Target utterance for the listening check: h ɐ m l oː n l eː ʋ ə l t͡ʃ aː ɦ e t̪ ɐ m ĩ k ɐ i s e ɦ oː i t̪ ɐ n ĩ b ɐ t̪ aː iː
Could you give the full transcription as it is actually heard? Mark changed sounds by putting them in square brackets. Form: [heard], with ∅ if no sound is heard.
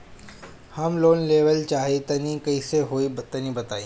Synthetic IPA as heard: h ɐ m l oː n l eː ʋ ə l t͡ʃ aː ɦ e t̪ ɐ [n] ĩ k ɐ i s e ɦ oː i t̪ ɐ n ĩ b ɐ t̪ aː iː